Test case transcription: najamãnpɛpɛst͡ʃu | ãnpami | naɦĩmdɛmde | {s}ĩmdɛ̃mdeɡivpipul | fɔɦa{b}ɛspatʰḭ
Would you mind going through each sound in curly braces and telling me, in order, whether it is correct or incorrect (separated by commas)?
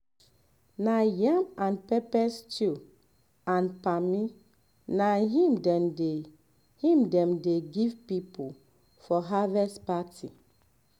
incorrect, incorrect